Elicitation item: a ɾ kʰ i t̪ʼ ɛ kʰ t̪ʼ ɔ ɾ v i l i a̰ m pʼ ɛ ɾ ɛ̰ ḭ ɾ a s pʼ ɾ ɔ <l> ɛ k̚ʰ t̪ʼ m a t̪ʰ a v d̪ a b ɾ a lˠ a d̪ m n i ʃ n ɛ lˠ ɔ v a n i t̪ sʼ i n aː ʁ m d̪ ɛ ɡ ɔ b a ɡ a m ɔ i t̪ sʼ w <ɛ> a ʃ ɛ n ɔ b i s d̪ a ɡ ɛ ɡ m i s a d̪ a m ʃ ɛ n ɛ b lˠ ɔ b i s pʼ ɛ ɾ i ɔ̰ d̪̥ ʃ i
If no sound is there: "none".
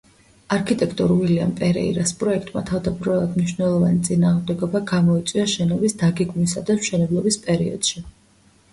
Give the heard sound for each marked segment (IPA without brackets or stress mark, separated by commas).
none, i